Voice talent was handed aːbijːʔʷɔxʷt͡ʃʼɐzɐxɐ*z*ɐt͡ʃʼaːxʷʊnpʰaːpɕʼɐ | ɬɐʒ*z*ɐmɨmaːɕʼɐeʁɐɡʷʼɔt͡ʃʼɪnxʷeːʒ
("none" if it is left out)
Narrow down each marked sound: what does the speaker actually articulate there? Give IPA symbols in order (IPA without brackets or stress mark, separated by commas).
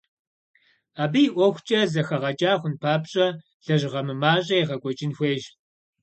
ʁ, ʁ